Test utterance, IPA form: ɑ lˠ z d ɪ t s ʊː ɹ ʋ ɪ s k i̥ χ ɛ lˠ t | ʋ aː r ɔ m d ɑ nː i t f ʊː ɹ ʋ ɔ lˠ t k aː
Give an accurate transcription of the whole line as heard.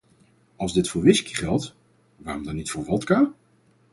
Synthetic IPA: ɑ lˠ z d ɪ t f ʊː ɹ ʋ ɪ s k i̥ χ ɛ lˠ t | ʋ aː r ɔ m d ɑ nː i t f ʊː ɹ ʋ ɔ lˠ t k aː